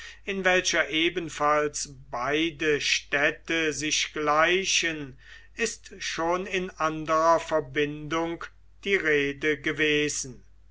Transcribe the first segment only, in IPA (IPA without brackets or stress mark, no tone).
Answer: ɪ